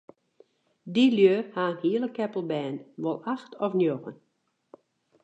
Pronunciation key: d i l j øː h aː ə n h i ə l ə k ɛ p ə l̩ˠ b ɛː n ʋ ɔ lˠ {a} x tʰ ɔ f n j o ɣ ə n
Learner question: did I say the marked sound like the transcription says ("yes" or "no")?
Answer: yes